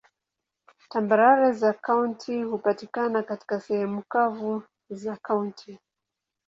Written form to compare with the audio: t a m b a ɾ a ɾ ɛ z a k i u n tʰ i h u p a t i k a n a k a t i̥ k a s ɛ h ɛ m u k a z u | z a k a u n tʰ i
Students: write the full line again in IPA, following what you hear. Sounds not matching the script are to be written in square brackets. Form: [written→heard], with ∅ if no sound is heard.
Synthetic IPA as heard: t a m b a ɾ a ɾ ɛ z a k [i→a] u n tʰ i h u p a t i k a n a k a t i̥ k a s ɛ h ɛ m u k a [z→v] u | z a k a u n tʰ i